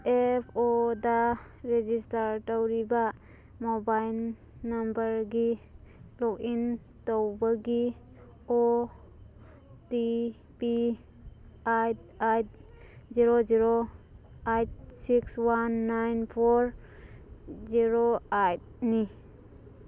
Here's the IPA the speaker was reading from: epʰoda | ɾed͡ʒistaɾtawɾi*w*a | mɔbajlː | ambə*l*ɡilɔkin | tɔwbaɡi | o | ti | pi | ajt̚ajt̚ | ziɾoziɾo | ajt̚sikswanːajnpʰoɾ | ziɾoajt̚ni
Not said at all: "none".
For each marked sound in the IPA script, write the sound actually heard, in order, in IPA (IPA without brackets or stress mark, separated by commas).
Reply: b, ɾ